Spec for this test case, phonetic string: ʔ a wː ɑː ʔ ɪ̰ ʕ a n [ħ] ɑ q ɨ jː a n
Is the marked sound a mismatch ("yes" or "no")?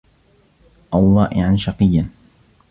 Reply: yes